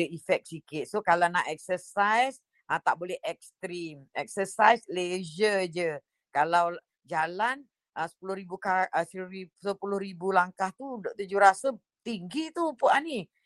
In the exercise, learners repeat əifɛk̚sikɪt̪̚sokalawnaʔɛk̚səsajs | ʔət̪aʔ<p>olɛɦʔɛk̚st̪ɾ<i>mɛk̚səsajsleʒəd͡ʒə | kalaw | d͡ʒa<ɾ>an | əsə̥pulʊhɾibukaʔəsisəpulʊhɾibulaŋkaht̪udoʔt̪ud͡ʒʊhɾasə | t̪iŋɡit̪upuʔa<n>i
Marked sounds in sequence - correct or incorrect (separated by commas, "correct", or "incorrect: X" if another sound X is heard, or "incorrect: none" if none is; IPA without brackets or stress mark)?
incorrect: b, correct, incorrect: l, correct